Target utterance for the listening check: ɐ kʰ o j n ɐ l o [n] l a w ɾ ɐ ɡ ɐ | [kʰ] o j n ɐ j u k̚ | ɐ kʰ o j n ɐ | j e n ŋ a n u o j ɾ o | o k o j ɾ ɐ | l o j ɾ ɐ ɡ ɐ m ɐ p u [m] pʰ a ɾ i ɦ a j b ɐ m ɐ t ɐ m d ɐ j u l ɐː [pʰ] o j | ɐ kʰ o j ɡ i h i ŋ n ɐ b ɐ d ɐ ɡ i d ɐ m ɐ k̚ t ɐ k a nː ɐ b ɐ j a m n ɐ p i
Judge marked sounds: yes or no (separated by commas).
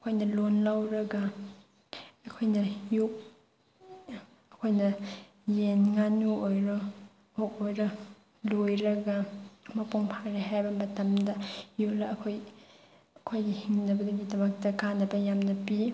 yes, yes, no, no